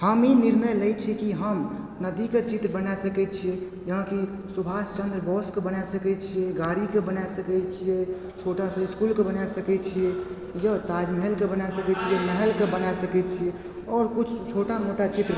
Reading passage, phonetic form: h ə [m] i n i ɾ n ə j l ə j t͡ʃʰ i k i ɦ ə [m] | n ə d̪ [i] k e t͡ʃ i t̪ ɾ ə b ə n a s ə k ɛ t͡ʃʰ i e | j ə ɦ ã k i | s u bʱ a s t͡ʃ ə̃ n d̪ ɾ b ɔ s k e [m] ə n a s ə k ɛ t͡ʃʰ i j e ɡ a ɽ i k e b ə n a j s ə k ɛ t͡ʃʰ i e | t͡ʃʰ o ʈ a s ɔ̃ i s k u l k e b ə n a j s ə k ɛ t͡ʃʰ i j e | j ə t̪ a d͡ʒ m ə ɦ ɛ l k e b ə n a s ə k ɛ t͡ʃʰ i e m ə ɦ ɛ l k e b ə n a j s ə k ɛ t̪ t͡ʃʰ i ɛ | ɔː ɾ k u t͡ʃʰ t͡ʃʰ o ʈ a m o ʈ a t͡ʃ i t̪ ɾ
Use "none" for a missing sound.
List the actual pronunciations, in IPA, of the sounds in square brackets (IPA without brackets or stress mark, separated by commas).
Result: m, m, i, b